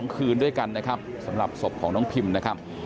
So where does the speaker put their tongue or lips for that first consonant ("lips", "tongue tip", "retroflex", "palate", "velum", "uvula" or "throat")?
velum